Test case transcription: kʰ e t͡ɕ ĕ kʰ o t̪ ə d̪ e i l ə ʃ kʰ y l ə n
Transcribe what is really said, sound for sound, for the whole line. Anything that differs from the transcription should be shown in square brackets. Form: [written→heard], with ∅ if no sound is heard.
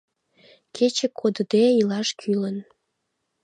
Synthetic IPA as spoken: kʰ e t͡ɕ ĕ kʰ o [t̪→d̪] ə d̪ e i l [ə→ɑ] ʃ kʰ y l ə n